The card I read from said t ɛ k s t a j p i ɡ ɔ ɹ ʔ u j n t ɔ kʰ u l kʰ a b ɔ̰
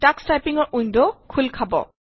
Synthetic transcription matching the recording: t a k s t a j p i ŋ ɔ ɹ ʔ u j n d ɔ kʰ u l kʰ a b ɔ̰